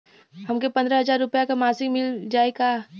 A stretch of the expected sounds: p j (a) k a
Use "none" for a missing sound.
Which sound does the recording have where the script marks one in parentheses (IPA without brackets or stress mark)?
a